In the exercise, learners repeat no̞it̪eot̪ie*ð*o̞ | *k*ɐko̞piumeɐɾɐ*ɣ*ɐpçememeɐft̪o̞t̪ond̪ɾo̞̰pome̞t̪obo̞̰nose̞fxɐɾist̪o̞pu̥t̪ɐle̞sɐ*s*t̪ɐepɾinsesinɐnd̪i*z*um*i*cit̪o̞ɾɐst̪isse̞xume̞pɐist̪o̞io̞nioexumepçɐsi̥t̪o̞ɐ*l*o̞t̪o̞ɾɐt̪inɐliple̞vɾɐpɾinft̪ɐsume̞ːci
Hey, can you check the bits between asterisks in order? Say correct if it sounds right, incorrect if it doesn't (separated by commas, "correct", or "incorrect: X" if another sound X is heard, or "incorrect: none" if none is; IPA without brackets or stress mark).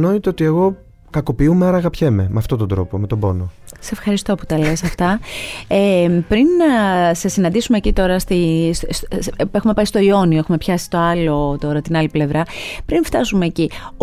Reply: incorrect: ɣ, correct, correct, incorrect: f, incorrect: s, incorrect: e, correct